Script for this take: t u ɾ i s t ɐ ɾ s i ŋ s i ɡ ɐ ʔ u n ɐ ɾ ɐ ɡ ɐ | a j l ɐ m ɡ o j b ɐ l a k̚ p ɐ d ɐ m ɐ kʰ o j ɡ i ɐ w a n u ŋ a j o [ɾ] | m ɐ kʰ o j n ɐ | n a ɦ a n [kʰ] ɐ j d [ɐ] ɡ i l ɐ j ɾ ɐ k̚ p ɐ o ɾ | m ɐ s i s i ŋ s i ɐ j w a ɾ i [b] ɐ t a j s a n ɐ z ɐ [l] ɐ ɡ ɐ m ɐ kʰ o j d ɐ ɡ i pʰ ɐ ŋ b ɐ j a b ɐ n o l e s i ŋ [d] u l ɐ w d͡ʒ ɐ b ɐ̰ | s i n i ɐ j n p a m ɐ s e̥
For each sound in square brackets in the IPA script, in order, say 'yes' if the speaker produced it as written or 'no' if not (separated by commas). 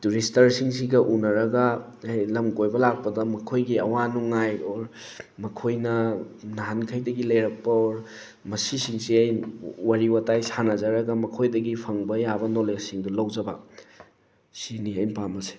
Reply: yes, yes, yes, no, no, yes